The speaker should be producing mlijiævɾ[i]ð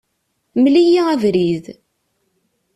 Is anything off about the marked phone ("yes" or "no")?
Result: no